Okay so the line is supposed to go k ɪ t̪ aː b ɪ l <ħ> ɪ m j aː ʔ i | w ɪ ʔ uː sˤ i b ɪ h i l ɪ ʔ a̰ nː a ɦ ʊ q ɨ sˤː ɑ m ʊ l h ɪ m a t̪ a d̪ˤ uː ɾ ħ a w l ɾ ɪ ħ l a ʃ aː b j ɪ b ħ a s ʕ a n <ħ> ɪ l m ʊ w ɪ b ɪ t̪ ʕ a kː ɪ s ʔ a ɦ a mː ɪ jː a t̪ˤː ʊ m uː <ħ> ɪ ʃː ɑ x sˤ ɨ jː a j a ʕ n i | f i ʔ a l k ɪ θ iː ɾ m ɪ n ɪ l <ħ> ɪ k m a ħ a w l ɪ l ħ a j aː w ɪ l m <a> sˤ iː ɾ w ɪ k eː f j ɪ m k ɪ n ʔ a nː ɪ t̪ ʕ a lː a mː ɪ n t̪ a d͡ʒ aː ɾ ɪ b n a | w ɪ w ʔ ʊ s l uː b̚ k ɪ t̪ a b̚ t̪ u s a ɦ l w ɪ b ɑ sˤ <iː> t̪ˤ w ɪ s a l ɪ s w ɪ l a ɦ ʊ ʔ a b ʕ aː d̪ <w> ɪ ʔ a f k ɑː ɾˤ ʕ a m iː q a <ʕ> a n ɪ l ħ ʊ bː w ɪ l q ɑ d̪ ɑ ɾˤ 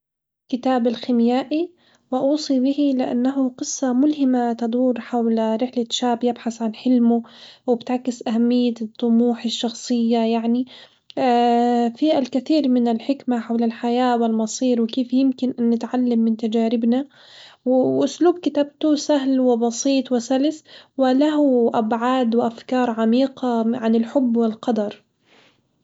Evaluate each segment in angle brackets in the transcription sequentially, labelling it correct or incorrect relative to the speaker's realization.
incorrect: x, correct, correct, correct, incorrect: ɑ, correct, correct, correct

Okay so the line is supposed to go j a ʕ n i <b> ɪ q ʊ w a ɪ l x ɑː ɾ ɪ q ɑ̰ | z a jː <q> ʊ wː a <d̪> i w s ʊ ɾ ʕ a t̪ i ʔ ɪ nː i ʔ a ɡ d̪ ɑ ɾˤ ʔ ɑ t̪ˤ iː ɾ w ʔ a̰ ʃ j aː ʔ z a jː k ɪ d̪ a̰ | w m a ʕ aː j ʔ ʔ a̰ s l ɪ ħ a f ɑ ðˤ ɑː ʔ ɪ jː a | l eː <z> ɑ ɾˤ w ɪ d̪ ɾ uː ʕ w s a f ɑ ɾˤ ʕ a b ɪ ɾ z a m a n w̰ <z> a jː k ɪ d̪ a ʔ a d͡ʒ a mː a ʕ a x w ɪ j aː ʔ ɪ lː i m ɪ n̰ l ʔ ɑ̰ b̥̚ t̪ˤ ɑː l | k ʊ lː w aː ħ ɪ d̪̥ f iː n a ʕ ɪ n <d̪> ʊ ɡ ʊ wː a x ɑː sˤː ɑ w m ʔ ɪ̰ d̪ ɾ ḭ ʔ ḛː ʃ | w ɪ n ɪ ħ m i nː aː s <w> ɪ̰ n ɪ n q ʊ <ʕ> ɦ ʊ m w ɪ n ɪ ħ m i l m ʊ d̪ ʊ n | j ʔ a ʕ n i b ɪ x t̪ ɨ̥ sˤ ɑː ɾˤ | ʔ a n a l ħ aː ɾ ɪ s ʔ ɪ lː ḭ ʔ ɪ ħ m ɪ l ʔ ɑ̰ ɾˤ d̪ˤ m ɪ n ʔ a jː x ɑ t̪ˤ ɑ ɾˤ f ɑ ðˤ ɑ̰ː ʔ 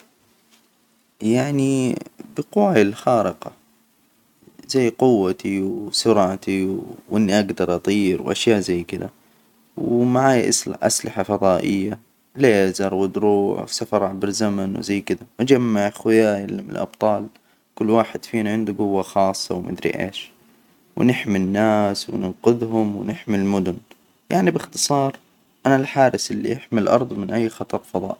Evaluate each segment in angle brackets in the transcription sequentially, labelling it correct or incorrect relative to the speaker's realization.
correct, correct, incorrect: t̪, correct, correct, correct, correct, incorrect: ð

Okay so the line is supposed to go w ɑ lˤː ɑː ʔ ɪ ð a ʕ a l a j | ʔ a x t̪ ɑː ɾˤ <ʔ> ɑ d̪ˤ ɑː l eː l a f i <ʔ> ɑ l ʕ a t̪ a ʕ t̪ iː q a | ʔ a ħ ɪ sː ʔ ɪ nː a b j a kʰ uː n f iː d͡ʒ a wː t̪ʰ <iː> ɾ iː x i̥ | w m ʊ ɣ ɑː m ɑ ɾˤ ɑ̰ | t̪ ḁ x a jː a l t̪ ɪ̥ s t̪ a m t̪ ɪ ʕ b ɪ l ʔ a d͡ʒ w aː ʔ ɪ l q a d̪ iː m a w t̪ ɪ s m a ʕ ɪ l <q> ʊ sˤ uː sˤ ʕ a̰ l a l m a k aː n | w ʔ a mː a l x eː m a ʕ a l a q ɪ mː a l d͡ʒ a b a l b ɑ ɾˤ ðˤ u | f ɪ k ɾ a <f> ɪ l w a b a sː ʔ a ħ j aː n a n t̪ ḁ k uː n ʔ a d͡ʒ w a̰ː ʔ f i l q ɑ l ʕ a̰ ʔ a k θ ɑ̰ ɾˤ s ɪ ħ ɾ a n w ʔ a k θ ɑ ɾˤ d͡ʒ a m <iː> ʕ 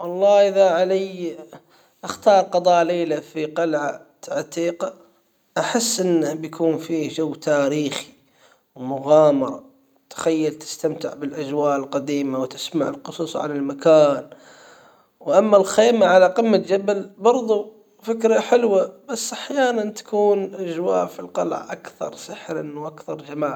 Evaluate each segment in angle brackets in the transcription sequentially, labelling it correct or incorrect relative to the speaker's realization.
incorrect: q, incorrect: q, incorrect: aː, correct, incorrect: ħ, incorrect: aː

